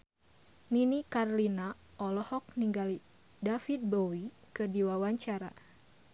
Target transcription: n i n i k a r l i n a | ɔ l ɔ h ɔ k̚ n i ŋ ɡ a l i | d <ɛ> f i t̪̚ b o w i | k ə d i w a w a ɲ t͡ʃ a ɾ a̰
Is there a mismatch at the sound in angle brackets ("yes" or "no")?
yes